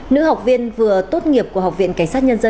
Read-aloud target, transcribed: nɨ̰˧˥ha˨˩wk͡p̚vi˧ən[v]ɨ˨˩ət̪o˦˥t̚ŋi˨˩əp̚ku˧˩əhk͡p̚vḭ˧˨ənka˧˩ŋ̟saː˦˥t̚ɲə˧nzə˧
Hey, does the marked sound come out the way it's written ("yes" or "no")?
yes